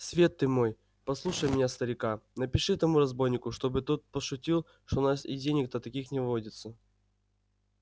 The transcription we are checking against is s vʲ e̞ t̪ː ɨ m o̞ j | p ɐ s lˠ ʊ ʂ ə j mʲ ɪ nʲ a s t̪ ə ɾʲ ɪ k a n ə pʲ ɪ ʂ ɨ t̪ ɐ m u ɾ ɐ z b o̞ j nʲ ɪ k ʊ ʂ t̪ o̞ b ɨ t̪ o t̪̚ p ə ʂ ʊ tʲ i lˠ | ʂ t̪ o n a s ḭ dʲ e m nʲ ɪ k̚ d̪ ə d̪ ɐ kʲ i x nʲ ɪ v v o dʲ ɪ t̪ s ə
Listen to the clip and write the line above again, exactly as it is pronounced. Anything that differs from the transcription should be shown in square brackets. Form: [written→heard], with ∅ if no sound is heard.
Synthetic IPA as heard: s vʲ e̞ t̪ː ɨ m o̞ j | p ɐ s lˠ [ʊ→u] ʂ ə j mʲ ɪ nʲ a s t̪ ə ɾʲ ɪ k a n ə pʲ ɪ ʂ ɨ t̪ ɐ m u ɾ ɐ z b o̞ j nʲ ɪ k ʊ ʂ t̪ o̞ b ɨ t̪ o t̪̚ p ə ʂ ʊ tʲ i lˠ | ʂ t̪ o n a s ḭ dʲ e [m→∅] nʲ ɪ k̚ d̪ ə [d̪→t̪] ɐ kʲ i x nʲ ɪ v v o dʲ ɪ t̪ s ə

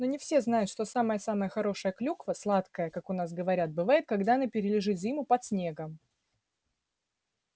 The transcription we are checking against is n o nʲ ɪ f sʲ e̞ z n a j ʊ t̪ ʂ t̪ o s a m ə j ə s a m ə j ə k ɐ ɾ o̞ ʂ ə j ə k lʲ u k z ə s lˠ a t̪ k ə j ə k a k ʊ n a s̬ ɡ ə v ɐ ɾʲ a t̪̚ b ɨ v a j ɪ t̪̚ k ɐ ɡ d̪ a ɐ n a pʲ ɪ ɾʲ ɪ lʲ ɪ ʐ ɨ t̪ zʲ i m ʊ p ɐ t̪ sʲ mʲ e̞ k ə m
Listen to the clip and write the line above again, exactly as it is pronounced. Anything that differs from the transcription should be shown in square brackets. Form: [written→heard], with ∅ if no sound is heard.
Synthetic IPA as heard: n o nʲ ɪ f sʲ e̞ z n a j ʊ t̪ ʂ t̪ o s a m ə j ə s a m ə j ə [k→x] ɐ ɾ o̞ ʂ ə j ə k lʲ u k [z→v] ə s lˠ a t̪ k ə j ə k a k ʊ n a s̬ ɡ ə v ɐ ɾʲ a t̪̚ b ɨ v a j ɪ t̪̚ k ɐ ɡ d̪ a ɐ n a pʲ ɪ ɾʲ ɪ lʲ ɪ ʐ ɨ t̪ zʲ i m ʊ p ɐ t̪ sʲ [mʲ→nʲ] e̞ [k→ɡ] ə m

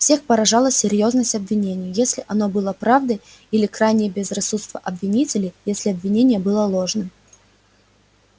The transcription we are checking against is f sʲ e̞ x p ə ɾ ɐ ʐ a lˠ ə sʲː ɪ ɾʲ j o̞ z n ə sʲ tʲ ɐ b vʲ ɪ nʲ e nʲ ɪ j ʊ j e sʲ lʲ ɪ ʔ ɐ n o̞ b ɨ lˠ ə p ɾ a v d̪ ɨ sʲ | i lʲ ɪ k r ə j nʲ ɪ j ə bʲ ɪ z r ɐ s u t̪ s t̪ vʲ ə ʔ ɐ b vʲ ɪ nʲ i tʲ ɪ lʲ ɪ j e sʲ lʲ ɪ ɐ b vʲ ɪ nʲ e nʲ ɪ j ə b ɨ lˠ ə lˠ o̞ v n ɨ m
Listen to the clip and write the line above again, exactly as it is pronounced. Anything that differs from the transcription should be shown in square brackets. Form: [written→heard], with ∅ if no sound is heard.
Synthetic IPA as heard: f sʲ e̞ x p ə ɾ ɐ ʐ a lˠ ə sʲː ɪ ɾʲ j o̞ z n ə sʲ tʲ ɐ b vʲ ɪ nʲ e nʲ ɪ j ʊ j e sʲ lʲ ɪ ʔ ɐ n o̞ b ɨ lˠ ə p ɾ a v d̪ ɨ [sʲ→∅] | i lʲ ɪ k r [ə→a] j nʲ ɪ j ə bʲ ɪ z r ɐ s u t̪ s t̪ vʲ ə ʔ ɐ b vʲ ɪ nʲ i tʲ ɪ lʲ ɪ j e sʲ lʲ ɪ ɐ b vʲ ɪ nʲ e nʲ ɪ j ə b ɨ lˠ ə lˠ o̞ [v→ʐ] n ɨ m

